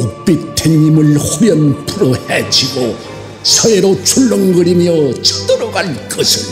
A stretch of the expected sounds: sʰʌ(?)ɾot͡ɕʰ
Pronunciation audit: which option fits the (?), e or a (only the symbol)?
e